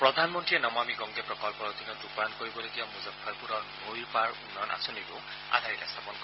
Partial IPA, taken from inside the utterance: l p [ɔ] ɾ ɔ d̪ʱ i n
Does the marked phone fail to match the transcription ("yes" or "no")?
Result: no